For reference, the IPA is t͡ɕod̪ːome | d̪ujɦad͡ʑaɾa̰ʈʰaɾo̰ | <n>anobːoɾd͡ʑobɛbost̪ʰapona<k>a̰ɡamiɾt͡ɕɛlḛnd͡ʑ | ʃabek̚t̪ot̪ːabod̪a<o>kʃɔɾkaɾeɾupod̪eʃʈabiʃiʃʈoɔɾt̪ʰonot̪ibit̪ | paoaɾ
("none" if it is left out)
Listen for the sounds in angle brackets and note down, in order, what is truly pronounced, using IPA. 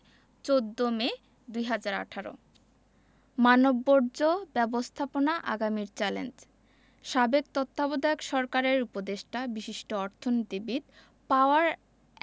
m, ʔ, o

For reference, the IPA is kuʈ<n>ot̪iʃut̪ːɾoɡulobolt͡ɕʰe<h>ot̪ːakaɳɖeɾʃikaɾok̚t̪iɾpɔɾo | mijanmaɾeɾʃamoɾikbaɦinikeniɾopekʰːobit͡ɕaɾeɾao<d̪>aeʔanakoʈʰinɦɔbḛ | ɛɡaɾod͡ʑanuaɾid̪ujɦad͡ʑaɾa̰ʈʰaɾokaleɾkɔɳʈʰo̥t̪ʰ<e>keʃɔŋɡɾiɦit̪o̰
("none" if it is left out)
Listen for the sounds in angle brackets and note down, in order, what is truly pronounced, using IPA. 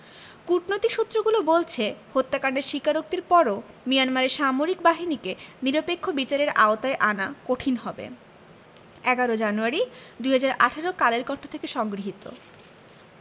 n, h, t̪, e

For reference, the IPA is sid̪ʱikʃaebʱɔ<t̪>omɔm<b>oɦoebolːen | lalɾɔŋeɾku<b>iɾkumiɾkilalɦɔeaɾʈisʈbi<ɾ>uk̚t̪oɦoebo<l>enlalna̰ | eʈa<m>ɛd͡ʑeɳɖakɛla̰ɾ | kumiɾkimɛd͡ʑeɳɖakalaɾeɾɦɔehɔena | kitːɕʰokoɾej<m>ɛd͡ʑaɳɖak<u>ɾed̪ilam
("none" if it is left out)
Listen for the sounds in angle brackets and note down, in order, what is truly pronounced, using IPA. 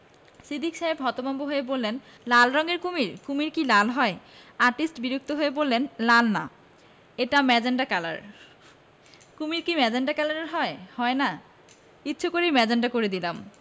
t̪, b, m, ɾ, lː, m, m, o

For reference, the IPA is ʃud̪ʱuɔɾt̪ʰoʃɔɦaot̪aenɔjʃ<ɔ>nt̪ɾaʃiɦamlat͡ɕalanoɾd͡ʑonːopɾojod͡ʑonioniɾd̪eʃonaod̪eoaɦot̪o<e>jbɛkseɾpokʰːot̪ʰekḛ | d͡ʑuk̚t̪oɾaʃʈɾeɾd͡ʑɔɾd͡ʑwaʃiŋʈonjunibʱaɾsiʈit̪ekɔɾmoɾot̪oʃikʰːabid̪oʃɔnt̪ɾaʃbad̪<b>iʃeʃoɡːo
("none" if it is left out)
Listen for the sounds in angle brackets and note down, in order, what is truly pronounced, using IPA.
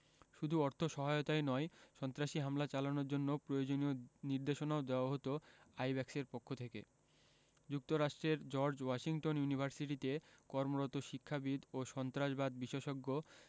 ɔ, a, b

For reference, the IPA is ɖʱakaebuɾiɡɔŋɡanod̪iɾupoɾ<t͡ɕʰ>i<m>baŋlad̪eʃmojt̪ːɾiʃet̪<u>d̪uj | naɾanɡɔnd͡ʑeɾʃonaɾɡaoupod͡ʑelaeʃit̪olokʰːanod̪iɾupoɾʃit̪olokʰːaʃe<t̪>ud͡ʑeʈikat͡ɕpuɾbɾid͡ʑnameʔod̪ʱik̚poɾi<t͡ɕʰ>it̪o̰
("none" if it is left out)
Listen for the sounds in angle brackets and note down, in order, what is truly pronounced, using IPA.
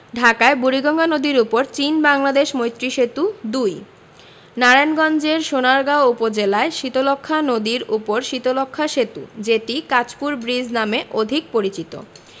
t͡ɕ, n, u, t̪, t͡ɕ

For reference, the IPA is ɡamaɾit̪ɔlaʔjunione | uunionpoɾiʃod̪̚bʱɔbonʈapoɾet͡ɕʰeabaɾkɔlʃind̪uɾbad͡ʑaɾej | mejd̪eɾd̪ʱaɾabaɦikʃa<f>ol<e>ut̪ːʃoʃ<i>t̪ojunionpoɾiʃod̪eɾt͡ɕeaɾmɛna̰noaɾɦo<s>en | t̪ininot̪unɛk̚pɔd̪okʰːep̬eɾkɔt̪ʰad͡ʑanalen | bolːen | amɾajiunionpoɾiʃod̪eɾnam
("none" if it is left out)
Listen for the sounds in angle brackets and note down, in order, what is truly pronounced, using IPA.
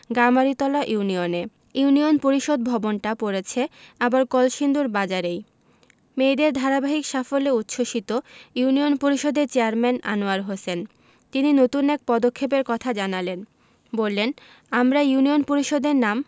f, e, i, s

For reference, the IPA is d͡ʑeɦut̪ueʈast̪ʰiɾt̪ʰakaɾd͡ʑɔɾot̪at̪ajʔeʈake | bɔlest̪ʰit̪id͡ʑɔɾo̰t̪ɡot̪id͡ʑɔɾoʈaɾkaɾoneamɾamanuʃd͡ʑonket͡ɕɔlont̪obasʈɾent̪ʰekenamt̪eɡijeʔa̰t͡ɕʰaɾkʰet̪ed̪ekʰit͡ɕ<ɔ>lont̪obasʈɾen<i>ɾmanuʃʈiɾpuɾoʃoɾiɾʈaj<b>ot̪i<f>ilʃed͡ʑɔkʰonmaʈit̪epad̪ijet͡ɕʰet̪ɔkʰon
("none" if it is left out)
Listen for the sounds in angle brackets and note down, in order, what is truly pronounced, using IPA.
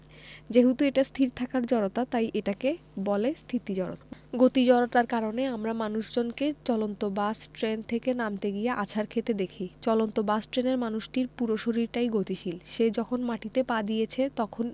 ɔ, e, ɡ, ʃ

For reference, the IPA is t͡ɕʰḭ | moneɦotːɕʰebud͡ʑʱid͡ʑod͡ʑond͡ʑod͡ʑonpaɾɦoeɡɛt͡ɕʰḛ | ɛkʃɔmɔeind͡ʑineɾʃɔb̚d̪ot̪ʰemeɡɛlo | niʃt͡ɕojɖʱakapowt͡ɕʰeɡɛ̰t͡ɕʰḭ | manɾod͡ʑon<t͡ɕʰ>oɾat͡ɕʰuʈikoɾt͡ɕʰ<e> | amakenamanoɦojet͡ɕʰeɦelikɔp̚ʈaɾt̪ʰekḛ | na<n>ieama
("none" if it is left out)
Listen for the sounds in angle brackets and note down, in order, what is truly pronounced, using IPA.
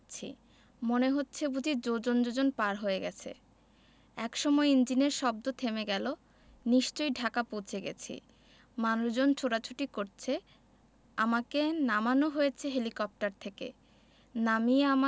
t͡ɕʰ, e, m

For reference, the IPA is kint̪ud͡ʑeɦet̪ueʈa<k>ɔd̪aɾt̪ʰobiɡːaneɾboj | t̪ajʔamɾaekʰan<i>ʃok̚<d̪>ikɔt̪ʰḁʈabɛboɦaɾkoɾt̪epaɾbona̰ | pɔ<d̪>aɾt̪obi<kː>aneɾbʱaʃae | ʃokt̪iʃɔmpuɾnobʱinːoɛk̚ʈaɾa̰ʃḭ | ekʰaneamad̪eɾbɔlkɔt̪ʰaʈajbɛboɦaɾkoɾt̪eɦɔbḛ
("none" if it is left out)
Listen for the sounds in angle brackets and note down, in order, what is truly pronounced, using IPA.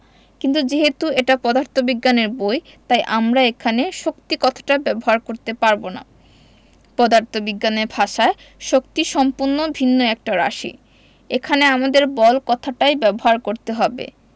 p, e, t̪, d̪, ɡː

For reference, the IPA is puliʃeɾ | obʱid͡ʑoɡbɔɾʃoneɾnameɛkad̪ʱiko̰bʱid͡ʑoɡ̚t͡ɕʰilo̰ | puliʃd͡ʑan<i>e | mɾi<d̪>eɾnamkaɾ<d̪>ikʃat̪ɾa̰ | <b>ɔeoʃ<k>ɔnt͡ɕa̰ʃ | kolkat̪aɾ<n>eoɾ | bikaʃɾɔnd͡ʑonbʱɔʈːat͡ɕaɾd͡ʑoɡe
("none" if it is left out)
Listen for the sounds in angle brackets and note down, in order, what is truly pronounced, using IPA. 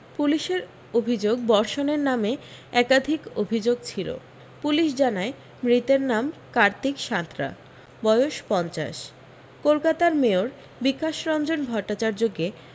a, t̪, t̪, b, p, m

